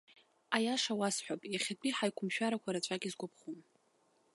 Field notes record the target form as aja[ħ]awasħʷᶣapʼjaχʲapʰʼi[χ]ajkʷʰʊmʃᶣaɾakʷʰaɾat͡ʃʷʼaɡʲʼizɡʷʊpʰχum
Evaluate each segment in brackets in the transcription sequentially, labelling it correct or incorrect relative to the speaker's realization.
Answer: incorrect: ʂ, incorrect: ħ

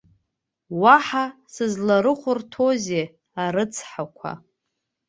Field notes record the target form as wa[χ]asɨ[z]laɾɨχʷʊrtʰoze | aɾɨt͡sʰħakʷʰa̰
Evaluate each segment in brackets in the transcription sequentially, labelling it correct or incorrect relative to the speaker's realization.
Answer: incorrect: ħ, correct

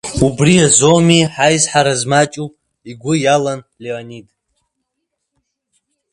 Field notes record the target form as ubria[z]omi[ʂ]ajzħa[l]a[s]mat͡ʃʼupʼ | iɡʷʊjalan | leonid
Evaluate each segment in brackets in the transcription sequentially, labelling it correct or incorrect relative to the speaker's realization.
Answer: correct, incorrect: ħ, incorrect: ɾ, incorrect: z

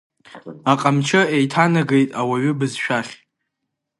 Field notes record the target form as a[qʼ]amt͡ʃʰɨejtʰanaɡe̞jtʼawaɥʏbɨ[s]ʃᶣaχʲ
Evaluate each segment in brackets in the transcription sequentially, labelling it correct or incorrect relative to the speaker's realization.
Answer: correct, incorrect: z

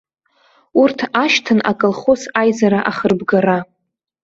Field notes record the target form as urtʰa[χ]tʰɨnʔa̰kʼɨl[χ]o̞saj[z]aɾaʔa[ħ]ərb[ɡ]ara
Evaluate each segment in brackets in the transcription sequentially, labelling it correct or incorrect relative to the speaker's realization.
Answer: incorrect: ʃ, correct, correct, incorrect: χ, correct

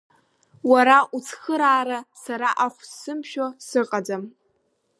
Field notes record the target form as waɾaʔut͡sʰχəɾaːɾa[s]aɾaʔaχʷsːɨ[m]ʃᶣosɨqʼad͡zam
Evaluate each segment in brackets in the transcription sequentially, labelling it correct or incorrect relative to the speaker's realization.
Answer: correct, correct

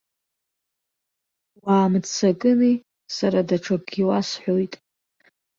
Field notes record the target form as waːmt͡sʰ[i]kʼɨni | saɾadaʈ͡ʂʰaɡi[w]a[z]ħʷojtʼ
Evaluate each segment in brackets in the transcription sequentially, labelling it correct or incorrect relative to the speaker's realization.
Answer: incorrect: a, correct, incorrect: s

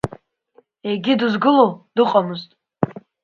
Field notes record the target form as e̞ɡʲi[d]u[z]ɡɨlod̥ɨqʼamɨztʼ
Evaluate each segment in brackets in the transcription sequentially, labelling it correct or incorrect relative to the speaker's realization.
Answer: correct, correct

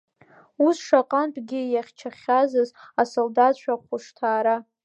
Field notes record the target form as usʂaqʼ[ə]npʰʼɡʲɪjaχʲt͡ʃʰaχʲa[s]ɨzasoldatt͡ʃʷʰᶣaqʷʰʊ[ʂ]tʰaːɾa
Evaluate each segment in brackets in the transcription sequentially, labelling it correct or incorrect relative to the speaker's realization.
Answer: incorrect: a, incorrect: z, correct

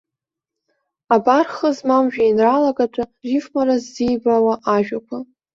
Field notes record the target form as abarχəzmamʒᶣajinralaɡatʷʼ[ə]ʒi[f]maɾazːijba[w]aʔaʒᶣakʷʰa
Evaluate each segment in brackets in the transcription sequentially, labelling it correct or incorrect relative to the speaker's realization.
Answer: incorrect: a, correct, correct

